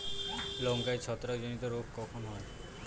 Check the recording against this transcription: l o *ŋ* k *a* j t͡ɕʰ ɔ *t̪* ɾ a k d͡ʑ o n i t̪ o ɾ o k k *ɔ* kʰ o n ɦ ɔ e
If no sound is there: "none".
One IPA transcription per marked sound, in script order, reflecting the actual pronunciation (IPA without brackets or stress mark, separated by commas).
ŋ, a, t̪, ɔ